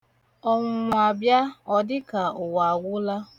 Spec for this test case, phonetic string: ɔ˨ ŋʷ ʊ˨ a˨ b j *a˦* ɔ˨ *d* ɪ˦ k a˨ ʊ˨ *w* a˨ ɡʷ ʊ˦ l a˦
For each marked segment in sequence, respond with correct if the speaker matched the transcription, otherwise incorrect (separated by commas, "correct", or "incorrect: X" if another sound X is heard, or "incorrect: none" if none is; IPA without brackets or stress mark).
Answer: correct, correct, correct